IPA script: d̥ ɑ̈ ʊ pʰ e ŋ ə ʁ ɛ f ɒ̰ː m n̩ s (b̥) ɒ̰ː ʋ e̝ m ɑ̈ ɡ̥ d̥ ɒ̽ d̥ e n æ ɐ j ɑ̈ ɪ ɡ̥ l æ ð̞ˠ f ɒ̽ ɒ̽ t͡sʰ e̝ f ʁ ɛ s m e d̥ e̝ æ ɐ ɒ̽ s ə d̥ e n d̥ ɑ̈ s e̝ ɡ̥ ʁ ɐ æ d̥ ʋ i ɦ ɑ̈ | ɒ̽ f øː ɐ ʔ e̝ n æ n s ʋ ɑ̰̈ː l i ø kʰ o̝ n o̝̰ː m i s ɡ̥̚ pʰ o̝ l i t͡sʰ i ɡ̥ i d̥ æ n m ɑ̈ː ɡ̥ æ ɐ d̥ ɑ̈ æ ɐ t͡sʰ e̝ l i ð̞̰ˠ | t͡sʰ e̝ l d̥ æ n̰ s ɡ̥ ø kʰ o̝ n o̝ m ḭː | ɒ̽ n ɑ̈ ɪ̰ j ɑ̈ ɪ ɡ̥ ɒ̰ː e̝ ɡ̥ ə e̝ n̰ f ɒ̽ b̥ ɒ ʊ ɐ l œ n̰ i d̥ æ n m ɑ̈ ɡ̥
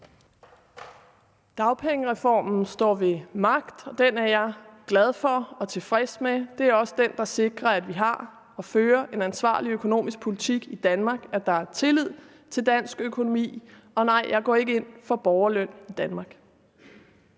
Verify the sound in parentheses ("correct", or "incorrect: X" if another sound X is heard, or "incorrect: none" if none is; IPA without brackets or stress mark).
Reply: incorrect: d̥